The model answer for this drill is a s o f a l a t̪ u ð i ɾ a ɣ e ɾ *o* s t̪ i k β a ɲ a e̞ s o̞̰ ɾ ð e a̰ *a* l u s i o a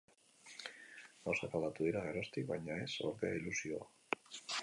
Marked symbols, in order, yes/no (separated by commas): yes, no